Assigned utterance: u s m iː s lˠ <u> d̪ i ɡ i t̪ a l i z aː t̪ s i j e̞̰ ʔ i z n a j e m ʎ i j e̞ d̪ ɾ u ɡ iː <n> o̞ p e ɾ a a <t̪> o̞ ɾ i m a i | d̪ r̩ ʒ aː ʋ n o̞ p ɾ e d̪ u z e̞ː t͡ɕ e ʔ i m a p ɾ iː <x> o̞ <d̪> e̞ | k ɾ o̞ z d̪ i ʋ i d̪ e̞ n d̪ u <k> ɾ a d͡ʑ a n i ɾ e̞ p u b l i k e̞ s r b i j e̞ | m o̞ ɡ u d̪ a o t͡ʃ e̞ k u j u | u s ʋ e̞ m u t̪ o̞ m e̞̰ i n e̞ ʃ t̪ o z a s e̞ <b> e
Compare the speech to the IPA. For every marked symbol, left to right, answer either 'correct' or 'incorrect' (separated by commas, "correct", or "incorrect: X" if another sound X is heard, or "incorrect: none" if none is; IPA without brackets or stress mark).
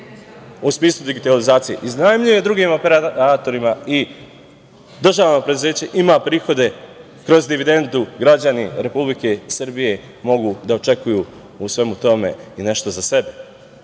correct, incorrect: m, correct, correct, correct, incorrect: ɡ, correct